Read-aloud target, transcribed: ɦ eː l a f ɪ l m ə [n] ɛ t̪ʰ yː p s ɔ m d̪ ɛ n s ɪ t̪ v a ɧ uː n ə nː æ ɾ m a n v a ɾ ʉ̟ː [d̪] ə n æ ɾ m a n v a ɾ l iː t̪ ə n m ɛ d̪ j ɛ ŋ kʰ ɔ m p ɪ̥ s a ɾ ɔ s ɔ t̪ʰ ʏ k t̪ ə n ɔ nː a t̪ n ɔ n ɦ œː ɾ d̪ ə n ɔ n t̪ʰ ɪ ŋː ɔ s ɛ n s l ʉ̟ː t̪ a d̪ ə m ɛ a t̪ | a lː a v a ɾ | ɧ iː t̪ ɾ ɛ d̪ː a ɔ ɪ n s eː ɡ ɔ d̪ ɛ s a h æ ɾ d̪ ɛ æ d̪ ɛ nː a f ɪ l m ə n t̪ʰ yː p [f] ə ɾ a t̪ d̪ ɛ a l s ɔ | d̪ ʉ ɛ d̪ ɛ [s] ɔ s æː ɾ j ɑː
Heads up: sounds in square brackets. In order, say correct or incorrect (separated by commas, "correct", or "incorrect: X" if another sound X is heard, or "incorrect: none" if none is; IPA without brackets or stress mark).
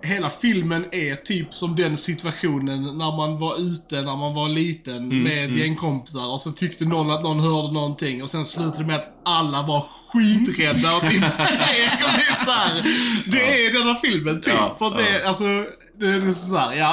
correct, incorrect: t̪, correct, correct